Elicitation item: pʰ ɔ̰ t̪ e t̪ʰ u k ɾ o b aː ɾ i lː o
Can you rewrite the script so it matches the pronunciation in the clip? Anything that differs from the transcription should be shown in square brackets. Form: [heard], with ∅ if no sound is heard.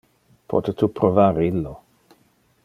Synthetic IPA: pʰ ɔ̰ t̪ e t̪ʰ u [p] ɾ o [v] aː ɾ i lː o